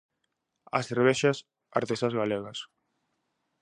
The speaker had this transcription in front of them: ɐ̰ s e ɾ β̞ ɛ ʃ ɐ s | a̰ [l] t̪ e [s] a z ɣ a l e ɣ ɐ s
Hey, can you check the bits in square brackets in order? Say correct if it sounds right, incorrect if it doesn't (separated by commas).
incorrect, correct